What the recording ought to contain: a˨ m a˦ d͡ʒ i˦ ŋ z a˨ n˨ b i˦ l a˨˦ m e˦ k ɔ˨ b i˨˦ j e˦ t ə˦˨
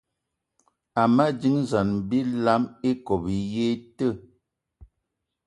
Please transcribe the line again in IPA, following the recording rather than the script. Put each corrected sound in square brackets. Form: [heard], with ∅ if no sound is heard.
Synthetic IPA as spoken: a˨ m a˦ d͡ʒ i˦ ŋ z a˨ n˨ b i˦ l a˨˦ m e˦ k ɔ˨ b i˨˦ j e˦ t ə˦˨